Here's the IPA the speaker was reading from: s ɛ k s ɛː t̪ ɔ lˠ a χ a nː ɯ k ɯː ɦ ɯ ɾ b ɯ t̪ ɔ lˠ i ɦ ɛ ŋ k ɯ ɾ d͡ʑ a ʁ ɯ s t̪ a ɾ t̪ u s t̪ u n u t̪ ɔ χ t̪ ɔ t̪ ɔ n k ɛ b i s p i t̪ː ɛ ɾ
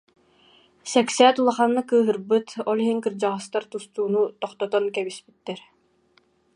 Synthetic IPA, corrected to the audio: s ɛ k s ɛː t̪ u lˠ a χ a nː ɯ k ɯː ɦ ɯ ɾ b ɯ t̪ ɔ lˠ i ɦ i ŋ k ɯ ɾ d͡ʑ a ʁ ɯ s t̪ a ɾ t̪ u s t̪ uː n u t̪ ɔ χ t̪ ɔ t̪ ɔ n k ɛ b i s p i t̪ː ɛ ɾ

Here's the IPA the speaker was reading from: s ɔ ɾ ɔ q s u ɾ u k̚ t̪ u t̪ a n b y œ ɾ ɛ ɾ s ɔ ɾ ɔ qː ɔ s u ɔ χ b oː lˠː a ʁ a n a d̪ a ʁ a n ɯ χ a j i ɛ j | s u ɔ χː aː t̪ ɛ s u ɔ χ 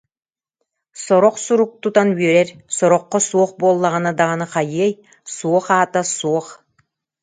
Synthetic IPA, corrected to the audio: s ɔ ɾ ɔ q s u ɾ u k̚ t̪ u t̪ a n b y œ ɾ ɛ ɾ s ɔ ɾ ɔ qː ɔ s u ɔ χ b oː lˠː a ʁ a n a d̪ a ʁ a n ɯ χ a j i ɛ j | s u ɔ χ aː t̪ a s u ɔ χ

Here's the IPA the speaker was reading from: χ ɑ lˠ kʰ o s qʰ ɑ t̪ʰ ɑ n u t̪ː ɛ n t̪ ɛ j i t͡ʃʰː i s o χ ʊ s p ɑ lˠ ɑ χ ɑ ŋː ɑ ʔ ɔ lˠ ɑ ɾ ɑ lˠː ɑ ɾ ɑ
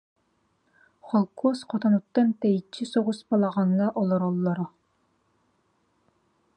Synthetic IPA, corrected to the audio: χ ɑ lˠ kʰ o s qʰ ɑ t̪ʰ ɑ n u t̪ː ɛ n t̪ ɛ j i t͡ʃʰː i s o ʁ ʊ s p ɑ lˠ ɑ ʁ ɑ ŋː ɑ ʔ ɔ lˠ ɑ ɾ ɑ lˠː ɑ ɾ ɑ

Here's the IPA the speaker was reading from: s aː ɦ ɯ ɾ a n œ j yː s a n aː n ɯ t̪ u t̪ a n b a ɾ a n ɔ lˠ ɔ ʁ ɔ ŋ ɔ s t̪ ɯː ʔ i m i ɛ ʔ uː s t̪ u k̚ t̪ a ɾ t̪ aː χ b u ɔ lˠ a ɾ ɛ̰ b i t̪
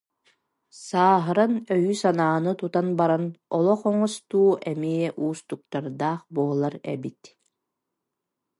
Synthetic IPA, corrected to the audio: s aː ɦ ɯ ɾ a n œ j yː s a n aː n ɯ t̪ u t̪ a n b a ɾ a n ɔ lˠ ɔ χ ɔ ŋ ɔ s t̪ uː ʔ ɛ m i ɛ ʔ uː s t̪ u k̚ t̪ a ɾ d̪ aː χ b u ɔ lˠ a ɾ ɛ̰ b i t̪

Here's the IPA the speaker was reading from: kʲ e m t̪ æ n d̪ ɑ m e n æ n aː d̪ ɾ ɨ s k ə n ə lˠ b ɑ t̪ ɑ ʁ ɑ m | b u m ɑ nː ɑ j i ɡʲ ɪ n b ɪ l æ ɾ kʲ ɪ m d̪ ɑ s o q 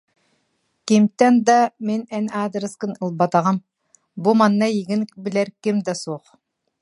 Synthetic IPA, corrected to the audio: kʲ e m t̪ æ n d̪ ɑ m e n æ n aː d̪ ɾ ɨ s k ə n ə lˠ b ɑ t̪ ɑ ʁ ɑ m | b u m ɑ nː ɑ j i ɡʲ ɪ n b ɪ l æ ɾ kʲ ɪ m d̪ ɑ s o q

